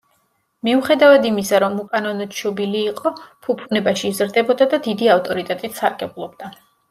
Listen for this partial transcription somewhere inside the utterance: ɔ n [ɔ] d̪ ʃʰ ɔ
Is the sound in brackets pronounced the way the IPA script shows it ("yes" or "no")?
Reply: yes